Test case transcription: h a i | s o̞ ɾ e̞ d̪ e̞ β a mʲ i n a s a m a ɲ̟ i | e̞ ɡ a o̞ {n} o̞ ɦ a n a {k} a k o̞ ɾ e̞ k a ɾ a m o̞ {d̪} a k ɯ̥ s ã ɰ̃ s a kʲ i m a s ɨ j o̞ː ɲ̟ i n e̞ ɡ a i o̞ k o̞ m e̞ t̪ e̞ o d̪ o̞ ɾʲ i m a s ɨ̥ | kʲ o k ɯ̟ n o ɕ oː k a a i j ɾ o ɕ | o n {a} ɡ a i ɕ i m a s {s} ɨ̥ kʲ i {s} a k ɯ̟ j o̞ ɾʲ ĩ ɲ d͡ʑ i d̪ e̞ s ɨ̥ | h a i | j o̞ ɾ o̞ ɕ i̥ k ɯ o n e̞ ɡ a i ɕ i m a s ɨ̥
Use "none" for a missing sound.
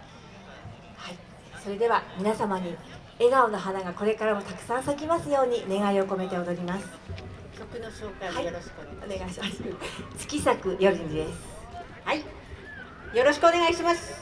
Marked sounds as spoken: n, ɡ, t̪, e, t͡s, s

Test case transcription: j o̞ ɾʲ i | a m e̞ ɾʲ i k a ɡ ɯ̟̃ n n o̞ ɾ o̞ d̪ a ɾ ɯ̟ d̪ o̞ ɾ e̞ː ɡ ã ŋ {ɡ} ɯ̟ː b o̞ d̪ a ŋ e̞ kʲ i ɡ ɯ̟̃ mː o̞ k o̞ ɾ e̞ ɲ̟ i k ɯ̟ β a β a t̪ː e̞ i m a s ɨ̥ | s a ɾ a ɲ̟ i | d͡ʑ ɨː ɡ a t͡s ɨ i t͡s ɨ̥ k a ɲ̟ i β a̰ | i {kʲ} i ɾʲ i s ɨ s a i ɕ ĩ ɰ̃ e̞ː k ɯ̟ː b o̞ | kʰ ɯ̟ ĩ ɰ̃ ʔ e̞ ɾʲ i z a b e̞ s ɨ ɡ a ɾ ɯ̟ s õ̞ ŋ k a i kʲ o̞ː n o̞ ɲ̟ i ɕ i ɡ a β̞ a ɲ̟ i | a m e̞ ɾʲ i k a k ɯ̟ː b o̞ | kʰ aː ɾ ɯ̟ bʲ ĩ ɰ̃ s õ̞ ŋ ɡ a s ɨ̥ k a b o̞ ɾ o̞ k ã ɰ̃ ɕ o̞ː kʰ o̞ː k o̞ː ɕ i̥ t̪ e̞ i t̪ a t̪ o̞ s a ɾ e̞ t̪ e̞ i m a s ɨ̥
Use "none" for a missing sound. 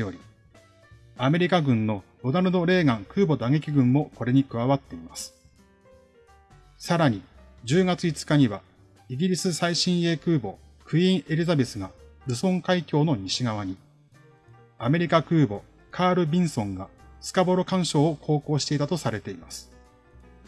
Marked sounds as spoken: k, ɡʲ

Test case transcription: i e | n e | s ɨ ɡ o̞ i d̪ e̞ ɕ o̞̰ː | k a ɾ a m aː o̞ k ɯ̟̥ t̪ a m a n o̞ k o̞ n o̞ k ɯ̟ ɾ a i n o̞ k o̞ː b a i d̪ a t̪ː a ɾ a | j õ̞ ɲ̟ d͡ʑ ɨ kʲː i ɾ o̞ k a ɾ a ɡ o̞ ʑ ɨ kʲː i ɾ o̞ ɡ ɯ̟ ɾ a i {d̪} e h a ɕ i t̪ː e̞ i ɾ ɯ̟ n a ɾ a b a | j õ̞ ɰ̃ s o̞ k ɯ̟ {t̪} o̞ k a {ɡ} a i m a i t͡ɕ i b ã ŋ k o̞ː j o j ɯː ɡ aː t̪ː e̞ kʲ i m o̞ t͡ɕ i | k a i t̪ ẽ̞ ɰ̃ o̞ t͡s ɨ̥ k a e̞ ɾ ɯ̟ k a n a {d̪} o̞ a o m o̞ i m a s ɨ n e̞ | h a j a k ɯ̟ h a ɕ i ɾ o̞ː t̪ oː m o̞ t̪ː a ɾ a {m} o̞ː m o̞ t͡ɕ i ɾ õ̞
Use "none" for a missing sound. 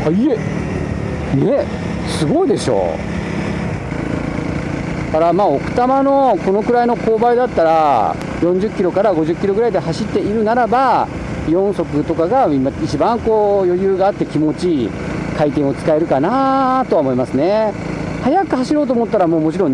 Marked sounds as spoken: d̪, t̪, ɡ, t̪, m

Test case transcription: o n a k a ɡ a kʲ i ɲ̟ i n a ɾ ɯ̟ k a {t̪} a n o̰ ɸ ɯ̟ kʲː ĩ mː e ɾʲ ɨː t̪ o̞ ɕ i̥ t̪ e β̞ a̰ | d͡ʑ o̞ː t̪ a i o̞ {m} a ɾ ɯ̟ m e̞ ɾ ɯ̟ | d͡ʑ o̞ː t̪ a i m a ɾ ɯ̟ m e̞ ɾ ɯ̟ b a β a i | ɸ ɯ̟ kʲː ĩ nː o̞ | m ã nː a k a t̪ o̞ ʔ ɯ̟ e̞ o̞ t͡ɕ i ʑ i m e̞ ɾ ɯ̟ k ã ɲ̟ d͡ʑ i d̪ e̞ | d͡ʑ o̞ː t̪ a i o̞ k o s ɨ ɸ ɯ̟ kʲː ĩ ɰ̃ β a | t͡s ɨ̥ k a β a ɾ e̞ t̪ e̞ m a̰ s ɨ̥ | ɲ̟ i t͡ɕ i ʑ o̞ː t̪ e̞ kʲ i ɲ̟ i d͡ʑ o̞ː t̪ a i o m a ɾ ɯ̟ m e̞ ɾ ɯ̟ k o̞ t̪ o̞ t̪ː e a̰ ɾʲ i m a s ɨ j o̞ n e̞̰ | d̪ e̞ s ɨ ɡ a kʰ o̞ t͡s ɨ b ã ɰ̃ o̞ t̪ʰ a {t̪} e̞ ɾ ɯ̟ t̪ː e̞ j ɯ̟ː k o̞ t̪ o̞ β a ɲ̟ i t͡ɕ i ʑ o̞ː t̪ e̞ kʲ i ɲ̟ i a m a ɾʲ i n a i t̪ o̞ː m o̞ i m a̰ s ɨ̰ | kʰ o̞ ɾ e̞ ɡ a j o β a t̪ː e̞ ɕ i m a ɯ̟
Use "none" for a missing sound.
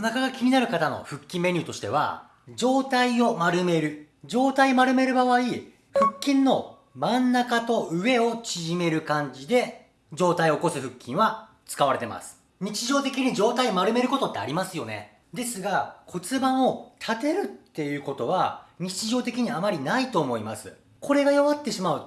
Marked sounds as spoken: t̪, m, t̪

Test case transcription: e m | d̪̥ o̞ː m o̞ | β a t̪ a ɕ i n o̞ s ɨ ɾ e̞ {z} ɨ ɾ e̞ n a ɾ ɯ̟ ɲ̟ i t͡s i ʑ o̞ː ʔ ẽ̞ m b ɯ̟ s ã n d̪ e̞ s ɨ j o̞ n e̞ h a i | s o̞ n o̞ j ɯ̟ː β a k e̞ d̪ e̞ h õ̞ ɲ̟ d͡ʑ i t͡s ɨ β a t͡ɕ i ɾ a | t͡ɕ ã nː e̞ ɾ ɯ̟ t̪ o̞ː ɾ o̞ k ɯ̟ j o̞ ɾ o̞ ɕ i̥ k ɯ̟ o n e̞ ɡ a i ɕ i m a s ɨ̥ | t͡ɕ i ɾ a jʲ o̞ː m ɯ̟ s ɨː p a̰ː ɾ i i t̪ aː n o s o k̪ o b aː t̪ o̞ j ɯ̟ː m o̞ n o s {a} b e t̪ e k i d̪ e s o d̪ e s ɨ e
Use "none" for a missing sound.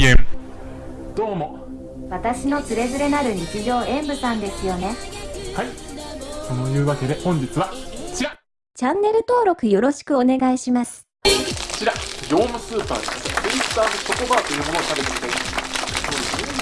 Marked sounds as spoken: z, a

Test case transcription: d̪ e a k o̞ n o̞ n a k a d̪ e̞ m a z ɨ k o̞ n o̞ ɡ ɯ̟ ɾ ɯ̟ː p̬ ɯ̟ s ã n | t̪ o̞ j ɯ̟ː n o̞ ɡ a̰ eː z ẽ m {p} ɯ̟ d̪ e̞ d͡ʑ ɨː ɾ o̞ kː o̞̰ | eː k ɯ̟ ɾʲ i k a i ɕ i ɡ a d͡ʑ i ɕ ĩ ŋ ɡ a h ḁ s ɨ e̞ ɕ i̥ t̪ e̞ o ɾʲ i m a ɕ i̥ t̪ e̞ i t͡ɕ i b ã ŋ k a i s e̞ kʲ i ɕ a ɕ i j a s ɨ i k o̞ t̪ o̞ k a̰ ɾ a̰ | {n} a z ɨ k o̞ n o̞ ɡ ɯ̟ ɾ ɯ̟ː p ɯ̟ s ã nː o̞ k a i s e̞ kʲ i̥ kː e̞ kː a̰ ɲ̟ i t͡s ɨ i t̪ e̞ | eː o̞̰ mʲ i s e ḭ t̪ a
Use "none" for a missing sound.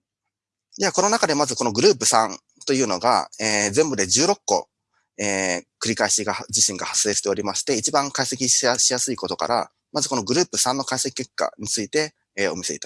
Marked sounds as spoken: b, m

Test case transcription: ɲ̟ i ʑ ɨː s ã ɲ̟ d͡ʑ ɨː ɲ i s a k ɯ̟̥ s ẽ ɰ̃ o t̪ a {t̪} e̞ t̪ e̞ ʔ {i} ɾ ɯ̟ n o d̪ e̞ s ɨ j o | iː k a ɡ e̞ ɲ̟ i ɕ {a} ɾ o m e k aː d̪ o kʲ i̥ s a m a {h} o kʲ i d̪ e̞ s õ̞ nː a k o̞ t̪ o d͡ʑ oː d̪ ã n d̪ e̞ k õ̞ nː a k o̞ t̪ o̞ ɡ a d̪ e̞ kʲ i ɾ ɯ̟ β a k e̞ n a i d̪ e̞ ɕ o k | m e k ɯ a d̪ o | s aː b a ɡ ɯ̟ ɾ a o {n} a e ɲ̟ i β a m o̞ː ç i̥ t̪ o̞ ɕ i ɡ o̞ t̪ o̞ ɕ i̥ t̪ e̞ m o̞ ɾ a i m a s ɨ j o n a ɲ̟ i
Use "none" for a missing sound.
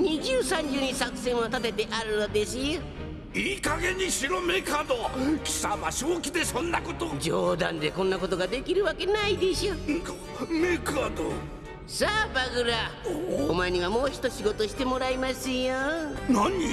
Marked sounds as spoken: t̪, a, i, ɕ, m

